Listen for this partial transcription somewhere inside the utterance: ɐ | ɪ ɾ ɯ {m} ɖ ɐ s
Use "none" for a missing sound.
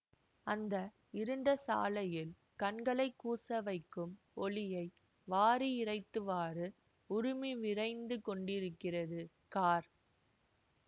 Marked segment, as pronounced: ɳ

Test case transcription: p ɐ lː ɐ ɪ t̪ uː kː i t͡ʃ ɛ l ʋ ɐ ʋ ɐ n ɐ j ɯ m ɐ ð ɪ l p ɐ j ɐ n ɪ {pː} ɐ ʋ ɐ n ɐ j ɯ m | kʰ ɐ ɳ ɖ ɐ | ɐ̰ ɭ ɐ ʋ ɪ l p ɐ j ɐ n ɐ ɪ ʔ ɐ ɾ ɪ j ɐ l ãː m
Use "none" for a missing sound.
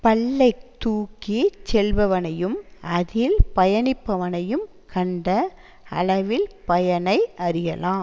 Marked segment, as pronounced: pː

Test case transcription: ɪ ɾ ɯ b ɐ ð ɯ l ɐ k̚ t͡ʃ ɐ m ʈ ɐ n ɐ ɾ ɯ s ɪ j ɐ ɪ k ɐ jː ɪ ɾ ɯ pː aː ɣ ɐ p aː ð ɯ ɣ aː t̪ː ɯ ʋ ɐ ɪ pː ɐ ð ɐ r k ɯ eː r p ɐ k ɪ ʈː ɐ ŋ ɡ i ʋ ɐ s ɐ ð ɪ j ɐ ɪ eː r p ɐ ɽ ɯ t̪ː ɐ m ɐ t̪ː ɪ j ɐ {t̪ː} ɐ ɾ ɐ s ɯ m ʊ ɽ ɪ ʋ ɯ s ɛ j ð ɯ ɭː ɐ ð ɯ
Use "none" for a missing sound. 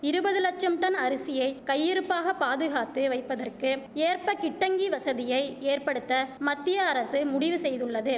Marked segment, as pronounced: none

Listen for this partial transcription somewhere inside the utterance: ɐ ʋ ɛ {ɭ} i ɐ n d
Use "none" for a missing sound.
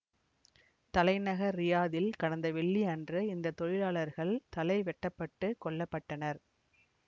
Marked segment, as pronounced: ɭː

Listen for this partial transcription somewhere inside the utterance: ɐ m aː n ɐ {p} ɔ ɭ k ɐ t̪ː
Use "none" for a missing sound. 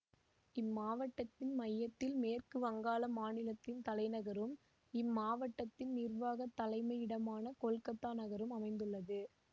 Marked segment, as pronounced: k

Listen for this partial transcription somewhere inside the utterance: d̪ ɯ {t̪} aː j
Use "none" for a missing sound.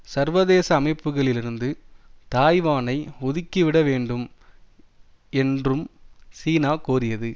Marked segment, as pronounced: t̪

